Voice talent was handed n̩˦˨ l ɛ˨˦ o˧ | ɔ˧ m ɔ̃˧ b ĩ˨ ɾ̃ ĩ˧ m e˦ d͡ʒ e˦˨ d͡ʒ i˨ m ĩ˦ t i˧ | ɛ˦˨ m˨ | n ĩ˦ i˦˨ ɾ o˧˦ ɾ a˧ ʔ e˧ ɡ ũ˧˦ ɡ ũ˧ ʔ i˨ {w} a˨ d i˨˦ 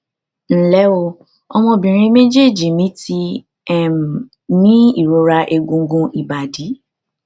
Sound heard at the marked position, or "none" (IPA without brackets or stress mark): b